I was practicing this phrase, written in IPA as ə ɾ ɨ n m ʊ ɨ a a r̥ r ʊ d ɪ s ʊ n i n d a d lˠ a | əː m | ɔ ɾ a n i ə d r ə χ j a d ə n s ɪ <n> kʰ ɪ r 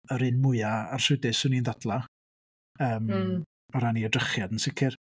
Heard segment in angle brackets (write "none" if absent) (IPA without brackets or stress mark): none